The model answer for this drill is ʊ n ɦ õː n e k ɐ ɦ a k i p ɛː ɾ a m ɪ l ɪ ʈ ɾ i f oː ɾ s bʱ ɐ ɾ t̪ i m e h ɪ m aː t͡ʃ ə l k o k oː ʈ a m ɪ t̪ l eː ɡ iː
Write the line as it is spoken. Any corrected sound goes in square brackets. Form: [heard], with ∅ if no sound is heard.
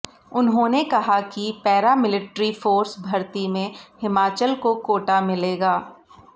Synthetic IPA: ʊ n ɦ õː n e k ɐ ɦ a k i p ɛː ɾ a m ɪ l ɪ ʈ ɾ i f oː ɾ s bʱ ɐ ɾ t̪ i m [ẽ] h ɪ m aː t͡ʃ ə l k o k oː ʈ a m ɪ [∅] l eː ɡ [aː]